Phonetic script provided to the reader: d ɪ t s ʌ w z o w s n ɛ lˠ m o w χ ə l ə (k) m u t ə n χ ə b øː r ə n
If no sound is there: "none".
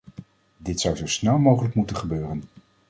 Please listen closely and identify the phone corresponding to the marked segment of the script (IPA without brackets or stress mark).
k